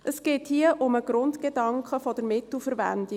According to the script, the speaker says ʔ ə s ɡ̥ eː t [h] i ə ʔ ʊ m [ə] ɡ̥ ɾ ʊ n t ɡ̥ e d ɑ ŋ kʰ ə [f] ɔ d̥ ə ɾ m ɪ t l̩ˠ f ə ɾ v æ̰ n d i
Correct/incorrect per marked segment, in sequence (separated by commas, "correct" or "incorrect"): correct, correct, correct